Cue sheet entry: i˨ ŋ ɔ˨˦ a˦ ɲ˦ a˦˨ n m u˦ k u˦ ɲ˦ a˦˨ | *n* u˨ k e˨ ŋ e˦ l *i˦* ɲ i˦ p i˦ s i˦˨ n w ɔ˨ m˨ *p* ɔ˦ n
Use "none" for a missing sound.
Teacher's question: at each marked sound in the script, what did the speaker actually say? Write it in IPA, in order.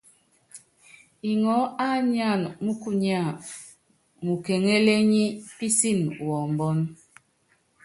m, e˦, b

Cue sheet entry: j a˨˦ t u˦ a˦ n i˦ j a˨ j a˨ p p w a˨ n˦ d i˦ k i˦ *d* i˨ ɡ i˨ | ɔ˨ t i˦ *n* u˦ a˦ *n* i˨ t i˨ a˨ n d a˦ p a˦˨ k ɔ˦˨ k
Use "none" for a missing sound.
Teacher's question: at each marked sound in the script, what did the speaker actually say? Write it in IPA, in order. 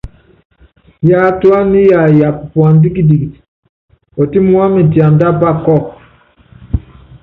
d, m, m

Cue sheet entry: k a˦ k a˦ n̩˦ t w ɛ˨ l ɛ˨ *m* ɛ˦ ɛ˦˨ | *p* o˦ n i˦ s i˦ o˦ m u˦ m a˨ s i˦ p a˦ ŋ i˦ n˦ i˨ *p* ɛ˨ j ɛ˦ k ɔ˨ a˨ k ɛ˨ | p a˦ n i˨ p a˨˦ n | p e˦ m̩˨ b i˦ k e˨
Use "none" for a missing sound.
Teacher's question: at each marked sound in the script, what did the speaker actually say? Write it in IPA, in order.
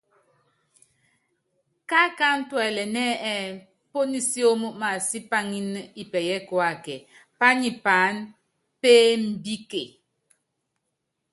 n, p, p

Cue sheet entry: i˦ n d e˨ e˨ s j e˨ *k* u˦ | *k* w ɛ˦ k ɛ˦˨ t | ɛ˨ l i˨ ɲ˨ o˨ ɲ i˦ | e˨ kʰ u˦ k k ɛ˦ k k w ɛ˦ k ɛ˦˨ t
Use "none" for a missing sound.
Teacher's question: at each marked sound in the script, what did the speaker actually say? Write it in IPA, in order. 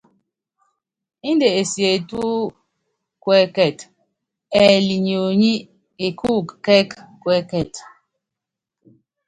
t, k

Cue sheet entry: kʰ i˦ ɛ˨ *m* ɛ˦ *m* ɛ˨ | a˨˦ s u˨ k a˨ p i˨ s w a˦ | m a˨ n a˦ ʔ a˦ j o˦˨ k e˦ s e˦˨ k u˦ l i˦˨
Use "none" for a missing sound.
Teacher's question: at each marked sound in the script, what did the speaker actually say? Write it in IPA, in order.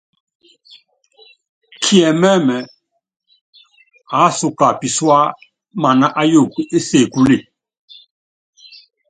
m, m

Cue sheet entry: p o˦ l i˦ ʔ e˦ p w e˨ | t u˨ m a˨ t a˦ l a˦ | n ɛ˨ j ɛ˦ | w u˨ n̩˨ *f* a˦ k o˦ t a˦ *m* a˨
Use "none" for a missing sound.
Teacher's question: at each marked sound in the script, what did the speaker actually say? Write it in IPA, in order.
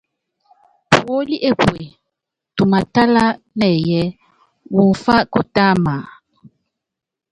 f, m

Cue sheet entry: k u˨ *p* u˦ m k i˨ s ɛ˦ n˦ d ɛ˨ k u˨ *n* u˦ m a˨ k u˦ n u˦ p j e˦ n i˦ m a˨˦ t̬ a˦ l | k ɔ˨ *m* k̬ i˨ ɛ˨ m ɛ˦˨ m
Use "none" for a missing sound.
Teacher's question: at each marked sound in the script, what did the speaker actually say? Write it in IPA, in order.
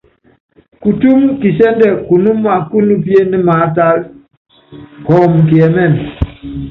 t, n, m

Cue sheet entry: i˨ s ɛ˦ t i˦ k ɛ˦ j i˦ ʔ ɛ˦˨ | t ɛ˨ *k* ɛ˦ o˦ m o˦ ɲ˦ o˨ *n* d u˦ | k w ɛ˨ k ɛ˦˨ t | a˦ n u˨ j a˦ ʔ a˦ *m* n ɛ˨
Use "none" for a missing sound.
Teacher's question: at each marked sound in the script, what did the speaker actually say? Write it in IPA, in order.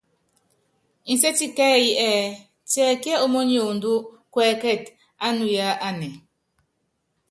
k, n, none

